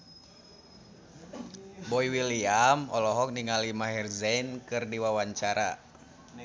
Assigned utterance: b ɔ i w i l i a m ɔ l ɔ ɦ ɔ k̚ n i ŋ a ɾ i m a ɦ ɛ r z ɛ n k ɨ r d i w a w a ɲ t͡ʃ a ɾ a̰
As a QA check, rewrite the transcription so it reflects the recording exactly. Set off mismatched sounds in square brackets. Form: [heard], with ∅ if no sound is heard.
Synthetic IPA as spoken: b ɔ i w i l i a m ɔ l ɔ ɦ ɔ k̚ n i ŋ a [l] i m a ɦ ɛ r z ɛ n k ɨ r d i w a w a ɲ t͡ʃ a ɾ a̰